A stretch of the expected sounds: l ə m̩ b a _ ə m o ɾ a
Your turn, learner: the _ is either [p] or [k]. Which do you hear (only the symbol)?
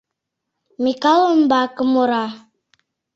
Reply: k